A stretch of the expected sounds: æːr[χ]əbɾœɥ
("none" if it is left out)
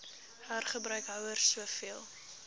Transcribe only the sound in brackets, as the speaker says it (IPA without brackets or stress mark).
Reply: χ